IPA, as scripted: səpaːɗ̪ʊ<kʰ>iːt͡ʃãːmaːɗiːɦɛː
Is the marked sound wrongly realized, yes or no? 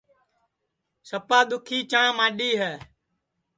no